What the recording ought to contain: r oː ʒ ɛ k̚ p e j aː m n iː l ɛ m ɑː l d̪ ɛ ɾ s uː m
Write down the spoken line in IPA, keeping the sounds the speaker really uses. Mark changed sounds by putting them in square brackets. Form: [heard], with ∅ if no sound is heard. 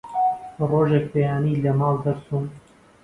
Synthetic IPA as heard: r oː ʒ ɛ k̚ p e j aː [∅] n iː l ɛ m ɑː l d̪ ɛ ɾ s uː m